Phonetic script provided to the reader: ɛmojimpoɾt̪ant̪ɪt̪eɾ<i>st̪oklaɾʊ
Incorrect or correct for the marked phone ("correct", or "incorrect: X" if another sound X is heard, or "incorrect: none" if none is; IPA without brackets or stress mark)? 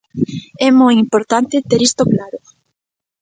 correct